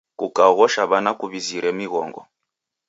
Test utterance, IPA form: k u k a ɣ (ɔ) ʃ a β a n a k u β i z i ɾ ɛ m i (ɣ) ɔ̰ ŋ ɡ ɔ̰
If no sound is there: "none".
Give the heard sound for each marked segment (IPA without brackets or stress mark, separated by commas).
ɔ, ɣ